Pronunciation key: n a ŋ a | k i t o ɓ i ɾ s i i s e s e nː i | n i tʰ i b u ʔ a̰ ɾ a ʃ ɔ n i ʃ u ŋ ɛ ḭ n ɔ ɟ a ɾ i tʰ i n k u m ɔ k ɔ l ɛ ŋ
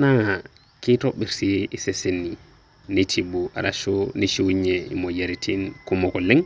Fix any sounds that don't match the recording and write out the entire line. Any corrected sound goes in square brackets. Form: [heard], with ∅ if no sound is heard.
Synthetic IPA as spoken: n a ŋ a | k i t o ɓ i ɾ s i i s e s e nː i | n i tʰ i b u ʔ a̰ ɾ a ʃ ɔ n i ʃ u [ɲ] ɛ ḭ [m] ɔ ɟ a ɾ i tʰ i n k u m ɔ k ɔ l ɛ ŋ